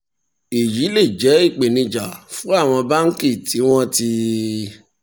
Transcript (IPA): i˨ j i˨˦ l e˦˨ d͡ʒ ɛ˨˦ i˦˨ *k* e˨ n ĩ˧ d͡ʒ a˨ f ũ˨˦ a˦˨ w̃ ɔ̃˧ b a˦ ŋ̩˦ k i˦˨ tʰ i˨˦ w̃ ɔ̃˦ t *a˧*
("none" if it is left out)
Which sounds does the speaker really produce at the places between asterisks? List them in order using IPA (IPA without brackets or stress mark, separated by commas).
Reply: k͡p, i˧